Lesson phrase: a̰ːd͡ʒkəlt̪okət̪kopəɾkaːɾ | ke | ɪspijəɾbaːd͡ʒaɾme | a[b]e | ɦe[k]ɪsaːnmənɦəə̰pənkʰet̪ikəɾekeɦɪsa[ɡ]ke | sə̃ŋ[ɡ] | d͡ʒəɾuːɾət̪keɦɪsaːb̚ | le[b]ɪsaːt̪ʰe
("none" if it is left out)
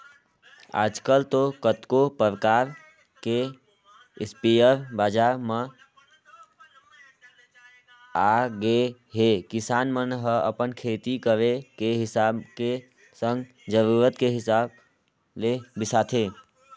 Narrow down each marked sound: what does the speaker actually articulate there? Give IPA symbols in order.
ɡ, k, b, ɡ, b

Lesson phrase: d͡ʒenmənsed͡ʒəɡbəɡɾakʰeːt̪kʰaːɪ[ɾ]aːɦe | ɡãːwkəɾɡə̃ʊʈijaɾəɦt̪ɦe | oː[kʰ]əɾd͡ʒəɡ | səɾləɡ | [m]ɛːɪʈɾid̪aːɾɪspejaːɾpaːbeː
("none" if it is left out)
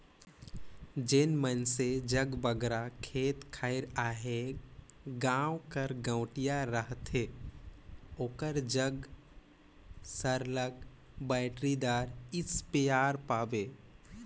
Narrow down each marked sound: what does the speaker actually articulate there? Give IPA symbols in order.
ɾ, k, b

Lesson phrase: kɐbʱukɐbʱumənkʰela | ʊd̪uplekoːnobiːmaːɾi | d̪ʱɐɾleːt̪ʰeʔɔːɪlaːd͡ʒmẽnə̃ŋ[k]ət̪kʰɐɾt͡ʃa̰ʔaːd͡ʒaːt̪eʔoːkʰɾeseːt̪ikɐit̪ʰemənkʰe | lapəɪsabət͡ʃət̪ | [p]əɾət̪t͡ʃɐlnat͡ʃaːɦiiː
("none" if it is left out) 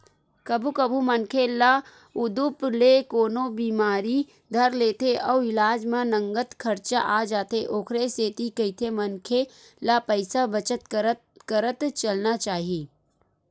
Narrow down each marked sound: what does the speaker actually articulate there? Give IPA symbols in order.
ɡ, k

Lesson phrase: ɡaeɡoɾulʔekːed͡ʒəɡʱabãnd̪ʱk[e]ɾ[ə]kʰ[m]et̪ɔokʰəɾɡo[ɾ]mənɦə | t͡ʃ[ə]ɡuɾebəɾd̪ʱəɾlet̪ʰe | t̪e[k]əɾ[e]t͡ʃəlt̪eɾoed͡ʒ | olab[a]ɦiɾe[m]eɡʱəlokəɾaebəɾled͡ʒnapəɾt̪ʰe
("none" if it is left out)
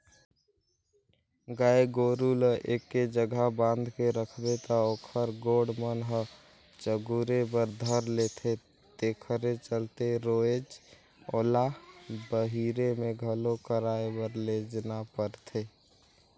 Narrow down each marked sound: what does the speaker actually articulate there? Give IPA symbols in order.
e, ə, b, ɽ, ə, kʰ, e, ə, m

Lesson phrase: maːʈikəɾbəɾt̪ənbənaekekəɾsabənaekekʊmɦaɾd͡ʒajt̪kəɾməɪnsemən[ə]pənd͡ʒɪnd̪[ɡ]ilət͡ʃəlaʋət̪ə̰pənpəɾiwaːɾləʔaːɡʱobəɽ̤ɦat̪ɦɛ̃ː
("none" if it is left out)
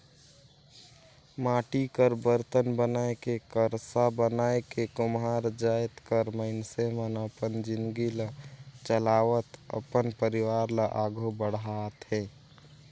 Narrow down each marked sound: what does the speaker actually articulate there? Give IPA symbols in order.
ə, ɡ

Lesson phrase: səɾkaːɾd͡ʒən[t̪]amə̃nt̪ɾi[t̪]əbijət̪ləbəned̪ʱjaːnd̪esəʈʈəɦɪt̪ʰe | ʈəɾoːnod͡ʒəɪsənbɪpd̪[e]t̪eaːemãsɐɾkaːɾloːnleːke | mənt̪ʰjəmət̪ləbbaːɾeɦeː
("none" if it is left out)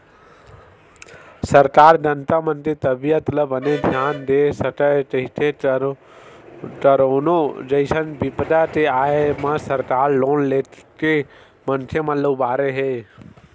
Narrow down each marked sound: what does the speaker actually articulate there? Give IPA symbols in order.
t̪, t̪, a

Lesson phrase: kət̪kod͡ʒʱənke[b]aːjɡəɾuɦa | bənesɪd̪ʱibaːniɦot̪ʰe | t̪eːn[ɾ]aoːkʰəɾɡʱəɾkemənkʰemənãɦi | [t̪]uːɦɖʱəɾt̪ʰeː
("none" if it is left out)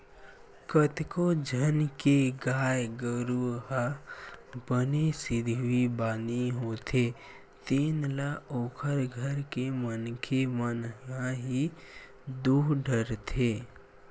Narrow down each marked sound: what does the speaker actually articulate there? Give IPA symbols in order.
ɡ, l, d̪

